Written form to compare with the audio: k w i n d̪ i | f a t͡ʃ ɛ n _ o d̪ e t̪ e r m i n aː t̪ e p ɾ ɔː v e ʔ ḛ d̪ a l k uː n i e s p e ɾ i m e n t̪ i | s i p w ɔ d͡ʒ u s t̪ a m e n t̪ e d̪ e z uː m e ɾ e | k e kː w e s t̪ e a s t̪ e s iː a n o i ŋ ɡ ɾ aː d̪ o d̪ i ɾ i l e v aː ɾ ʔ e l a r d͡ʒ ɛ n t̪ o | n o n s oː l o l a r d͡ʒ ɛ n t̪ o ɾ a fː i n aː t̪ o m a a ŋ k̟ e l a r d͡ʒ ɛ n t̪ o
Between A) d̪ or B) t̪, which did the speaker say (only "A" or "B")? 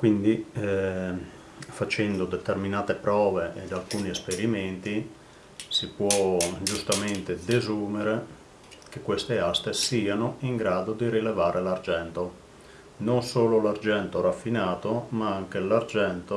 A